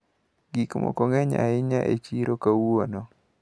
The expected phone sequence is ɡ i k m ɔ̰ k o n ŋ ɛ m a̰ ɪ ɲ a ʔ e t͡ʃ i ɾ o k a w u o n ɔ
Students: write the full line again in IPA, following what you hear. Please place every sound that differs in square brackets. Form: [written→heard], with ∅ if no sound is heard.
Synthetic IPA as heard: ɡ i k m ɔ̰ k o [n→∅] ŋ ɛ [m→ɲ] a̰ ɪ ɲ a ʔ e t͡ʃ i ɾ o k a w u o n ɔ